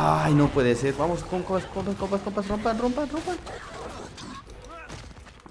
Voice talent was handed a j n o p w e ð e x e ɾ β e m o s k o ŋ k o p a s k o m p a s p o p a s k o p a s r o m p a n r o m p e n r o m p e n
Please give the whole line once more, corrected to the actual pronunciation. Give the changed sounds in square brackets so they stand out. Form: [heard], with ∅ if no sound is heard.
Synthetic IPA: a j n o p w e ð e [s] e ɾ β [a] m o s k o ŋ k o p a s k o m p a s [k] o p a s k o p a s r o m p a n r o m p [a] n r o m p [a] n